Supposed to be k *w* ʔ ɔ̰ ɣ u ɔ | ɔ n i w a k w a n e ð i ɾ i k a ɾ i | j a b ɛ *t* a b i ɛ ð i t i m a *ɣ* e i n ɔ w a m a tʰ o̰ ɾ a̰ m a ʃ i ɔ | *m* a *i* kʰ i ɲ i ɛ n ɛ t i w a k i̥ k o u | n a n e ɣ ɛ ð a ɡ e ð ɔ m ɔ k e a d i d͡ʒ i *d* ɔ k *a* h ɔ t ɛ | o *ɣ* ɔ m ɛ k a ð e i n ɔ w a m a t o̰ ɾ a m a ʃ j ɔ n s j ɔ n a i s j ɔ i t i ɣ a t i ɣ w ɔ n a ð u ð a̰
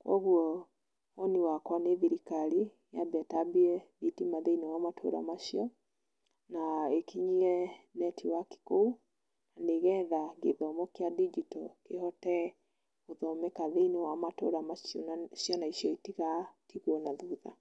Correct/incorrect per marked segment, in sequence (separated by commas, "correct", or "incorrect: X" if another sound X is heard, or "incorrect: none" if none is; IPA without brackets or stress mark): correct, correct, incorrect: ð, incorrect: n, incorrect: e, incorrect: t, incorrect: e, incorrect: ð